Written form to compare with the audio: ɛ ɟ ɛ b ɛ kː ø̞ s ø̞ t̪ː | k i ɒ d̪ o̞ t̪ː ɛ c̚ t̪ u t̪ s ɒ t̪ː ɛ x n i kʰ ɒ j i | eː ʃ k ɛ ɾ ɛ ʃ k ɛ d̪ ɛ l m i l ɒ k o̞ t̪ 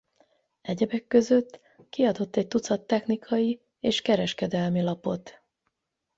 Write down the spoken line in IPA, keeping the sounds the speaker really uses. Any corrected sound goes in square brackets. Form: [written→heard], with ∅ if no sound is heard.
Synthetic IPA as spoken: ɛ ɟ ɛ b ɛ kː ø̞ [s→z] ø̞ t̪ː | k i ɒ d̪ o̞ t̪ː ɛ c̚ t̪ u t̪ s ɒ t̪ː ɛ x n i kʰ ɒ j i | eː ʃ k ɛ ɾ ɛ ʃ k ɛ d̪ ɛ l m i l ɒ [k→p] o̞ t̪